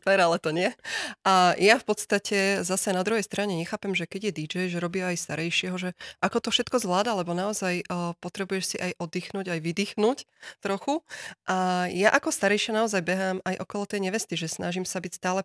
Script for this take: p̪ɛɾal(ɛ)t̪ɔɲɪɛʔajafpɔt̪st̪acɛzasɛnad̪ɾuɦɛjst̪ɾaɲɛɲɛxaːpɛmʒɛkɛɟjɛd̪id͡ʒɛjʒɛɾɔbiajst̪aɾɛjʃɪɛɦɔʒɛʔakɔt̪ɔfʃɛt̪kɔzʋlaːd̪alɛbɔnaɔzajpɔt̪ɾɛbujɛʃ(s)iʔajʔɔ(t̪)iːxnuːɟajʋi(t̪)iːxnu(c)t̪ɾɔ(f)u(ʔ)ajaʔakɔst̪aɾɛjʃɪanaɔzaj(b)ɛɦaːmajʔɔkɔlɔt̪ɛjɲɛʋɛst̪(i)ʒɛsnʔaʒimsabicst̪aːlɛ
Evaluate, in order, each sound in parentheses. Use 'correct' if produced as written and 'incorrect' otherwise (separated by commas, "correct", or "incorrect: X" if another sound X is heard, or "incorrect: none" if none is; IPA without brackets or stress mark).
correct, correct, incorrect: d̪, incorrect: d̪, correct, incorrect: x, correct, correct, correct